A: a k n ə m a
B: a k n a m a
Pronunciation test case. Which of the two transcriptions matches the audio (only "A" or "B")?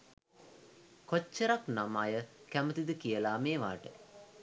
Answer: B